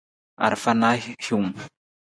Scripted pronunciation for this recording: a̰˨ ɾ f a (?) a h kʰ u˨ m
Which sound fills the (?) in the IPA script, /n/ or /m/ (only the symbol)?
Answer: n